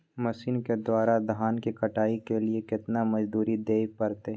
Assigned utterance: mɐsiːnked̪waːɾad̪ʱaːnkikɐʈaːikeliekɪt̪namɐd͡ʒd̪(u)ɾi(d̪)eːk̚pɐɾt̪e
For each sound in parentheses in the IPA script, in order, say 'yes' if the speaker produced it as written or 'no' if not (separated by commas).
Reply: no, yes